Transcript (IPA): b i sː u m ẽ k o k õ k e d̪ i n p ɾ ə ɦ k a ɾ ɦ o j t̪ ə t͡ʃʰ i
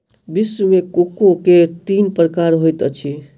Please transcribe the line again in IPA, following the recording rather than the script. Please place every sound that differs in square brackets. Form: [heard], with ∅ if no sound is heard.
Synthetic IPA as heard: b i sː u m [e] k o k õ k e [t̪] i n p ɾ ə [∅] k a ɾ ɦ o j t̪ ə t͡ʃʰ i